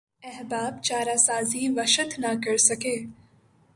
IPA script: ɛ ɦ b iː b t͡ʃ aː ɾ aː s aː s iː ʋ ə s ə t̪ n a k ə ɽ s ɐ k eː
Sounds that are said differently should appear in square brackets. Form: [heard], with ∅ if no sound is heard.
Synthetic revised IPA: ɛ ɦ b [aː] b t͡ʃ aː ɾ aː s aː [z] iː ʋ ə [ʃ] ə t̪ n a k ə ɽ s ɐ k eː